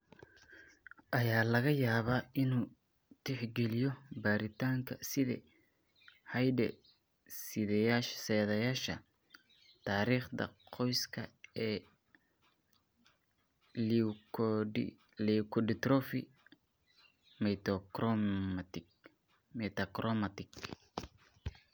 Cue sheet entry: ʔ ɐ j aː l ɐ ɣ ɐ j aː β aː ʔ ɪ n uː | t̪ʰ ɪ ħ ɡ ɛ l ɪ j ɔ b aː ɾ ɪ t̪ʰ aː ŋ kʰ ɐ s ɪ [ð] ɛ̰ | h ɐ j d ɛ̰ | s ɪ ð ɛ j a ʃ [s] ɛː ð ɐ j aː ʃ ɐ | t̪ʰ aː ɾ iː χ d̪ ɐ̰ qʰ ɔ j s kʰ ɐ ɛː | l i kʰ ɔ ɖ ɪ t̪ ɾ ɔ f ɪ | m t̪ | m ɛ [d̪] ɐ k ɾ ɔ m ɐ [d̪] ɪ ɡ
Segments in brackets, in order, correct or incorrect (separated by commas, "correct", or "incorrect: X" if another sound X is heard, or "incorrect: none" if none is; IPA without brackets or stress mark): correct, correct, incorrect: t̪, incorrect: t̪